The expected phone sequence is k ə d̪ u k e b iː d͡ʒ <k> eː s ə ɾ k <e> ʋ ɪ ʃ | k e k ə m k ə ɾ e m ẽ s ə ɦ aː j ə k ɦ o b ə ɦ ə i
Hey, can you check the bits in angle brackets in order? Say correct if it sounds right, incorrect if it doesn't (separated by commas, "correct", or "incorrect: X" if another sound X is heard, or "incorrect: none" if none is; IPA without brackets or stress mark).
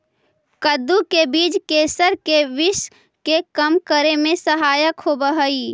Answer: correct, correct